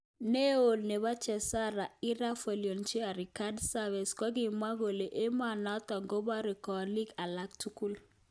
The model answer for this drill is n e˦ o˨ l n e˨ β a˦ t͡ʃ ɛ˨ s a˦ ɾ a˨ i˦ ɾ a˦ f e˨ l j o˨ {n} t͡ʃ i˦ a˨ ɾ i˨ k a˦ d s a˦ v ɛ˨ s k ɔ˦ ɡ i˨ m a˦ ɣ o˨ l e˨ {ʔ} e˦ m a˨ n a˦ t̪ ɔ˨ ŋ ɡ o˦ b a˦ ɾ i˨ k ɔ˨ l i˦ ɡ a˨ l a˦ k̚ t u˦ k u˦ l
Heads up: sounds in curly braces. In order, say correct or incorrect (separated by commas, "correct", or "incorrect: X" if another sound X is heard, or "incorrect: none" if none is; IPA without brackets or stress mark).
correct, correct